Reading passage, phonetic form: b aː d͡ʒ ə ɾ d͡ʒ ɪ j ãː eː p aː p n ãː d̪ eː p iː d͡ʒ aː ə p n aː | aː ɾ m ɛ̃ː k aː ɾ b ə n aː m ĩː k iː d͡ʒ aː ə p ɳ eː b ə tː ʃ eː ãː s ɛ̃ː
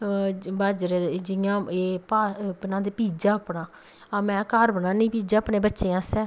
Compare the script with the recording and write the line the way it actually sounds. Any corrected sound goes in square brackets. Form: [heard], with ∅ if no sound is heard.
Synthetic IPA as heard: b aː d͡ʒ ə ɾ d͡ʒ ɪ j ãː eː p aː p n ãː d̪ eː p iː d͡ʒ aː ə p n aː | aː [∅] m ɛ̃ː k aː ɾ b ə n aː [n] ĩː [p] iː d͡ʒ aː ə p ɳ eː b ə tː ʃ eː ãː s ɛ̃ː